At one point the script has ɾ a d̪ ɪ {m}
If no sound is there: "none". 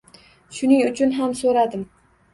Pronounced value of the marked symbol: m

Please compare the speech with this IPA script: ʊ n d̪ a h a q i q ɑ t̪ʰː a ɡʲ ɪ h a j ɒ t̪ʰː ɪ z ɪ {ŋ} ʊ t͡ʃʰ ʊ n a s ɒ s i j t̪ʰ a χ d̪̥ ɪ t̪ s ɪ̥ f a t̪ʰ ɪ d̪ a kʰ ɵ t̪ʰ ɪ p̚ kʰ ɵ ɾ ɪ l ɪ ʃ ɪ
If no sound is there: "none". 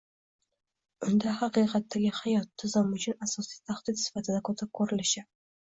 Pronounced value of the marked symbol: m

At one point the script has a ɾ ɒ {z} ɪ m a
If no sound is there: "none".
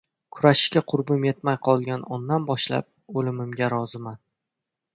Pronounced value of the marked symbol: z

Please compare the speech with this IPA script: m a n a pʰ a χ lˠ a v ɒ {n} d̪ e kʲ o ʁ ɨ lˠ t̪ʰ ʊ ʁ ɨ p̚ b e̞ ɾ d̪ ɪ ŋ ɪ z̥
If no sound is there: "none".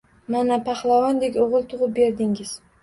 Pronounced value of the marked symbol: n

